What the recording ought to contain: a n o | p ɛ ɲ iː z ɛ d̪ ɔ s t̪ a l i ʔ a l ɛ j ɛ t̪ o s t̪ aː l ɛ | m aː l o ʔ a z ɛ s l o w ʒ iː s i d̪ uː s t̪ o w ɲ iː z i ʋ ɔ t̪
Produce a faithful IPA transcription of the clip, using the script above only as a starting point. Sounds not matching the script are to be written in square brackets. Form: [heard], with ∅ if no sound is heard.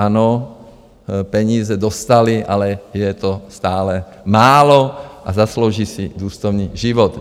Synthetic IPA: a n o | p ɛ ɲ iː z ɛ d̪ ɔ s t̪ a l i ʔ a l ɛ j ɛ t̪ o s t̪ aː l ɛ | m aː l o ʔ a z [a] s l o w ʒ iː s i d̪ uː s t̪ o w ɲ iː [ʒ] i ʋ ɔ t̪